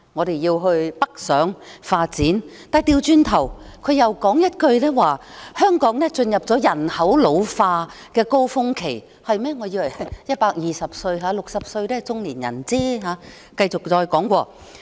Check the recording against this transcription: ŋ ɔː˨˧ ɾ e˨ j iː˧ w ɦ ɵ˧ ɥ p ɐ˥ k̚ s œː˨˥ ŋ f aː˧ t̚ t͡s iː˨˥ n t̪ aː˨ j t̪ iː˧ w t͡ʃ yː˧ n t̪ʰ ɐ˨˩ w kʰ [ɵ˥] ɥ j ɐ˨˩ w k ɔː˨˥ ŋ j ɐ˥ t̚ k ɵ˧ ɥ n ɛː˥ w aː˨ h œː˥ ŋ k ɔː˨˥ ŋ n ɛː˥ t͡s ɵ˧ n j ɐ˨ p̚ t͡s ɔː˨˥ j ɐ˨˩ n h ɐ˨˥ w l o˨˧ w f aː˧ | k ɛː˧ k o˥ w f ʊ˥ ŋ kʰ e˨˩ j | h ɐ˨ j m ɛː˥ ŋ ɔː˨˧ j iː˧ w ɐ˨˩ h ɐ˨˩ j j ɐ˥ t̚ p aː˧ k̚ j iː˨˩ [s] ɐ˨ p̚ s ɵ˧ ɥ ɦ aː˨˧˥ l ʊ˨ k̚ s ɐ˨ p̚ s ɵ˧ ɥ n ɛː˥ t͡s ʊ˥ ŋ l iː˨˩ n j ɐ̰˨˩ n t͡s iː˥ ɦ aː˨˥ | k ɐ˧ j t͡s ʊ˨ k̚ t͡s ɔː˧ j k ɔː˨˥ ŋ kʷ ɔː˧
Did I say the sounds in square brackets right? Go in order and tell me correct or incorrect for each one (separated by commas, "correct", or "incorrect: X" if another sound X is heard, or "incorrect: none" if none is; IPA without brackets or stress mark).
incorrect: ɵ˨˧, correct